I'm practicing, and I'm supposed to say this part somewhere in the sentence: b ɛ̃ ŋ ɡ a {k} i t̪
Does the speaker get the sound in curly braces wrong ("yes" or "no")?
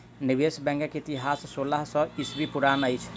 no